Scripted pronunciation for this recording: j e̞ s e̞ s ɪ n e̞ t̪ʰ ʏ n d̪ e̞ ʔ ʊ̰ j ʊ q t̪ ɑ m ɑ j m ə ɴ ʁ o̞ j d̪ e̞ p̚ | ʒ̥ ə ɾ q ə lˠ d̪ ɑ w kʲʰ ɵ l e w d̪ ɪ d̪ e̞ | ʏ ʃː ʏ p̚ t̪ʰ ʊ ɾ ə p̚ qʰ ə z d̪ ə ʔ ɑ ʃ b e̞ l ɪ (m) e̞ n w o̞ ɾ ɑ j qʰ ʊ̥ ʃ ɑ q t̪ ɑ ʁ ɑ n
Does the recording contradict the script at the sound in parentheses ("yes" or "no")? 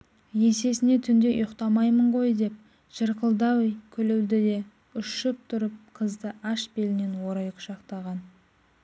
yes